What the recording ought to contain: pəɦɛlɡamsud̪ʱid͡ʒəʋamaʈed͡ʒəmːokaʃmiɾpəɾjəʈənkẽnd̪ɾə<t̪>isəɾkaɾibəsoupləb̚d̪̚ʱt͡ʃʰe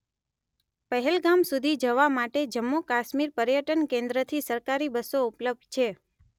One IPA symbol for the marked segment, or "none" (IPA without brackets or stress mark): t̪ʰ